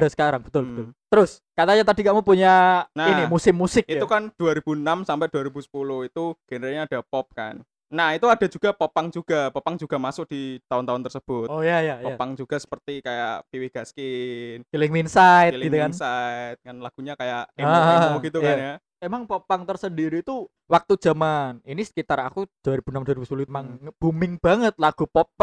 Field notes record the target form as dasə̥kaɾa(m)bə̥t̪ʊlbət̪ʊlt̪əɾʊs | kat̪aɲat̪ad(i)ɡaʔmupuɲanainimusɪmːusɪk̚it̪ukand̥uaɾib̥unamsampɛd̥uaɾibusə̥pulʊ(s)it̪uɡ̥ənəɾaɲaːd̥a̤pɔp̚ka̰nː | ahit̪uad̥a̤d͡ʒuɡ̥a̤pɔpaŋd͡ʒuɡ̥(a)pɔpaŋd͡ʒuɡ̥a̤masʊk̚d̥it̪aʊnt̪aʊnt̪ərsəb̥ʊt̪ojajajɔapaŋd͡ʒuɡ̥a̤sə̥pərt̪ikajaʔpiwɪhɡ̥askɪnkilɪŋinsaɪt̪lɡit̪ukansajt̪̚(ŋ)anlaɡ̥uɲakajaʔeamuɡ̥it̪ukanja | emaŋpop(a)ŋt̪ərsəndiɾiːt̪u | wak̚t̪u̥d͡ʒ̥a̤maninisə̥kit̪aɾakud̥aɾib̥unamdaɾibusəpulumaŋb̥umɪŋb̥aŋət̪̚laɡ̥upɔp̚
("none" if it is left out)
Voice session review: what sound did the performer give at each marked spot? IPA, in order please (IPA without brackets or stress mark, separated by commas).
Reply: ŋ, i, h, a, ŋ, a